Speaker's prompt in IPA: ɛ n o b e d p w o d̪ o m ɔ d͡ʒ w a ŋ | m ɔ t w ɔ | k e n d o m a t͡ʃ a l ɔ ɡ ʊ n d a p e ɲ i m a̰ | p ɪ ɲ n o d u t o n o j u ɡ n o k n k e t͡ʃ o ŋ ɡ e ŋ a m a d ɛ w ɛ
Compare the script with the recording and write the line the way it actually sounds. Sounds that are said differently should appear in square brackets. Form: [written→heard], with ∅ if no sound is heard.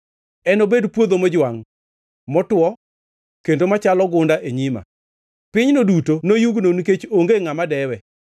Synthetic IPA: ɛ n o b e d p w o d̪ o m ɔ d͡ʒ w a ŋ | m ɔ t w ɔ | k e n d o m a t͡ʃ a l ɔ ɡ ʊ n d a [p→ʔ] e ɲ i m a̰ | p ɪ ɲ n o d u t o n o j u ɡ n o [k→∅] n k e t͡ʃ o ŋ ɡ e ŋ a m a d ɛ w ɛ